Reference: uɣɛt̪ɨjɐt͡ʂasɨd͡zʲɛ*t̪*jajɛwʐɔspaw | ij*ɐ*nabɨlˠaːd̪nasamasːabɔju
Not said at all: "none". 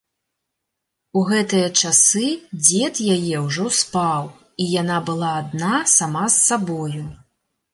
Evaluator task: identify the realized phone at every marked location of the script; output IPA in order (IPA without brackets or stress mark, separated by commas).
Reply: t̪, a